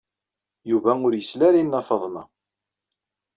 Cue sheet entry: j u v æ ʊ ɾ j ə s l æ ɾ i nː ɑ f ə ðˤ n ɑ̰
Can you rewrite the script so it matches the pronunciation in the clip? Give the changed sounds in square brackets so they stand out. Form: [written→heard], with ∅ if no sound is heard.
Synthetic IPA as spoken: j u v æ ʊ ɾ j ə s l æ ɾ i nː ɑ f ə ðˤ n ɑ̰